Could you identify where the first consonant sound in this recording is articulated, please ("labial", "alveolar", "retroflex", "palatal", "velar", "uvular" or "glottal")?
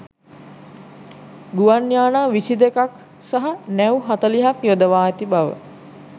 velar